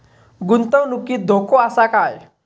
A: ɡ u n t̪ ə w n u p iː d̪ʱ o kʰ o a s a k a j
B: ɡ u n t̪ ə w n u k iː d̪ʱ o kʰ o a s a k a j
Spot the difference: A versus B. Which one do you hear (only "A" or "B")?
B